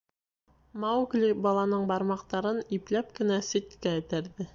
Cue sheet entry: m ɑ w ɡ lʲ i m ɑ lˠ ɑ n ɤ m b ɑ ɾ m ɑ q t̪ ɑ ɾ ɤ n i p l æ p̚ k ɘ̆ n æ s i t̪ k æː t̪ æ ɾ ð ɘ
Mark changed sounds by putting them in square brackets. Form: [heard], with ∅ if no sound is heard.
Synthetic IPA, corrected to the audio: m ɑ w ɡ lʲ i [b] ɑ lˠ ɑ n ɤ [ɴ] b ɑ ɾ m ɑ q t̪ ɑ ɾ ɤ n i p l æ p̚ k ɘ̆ n æ s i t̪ k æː t̪ æ ɾ ð ɘ